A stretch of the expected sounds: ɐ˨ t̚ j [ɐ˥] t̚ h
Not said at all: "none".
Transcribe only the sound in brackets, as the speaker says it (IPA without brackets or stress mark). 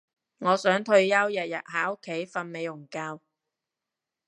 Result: ɐ˨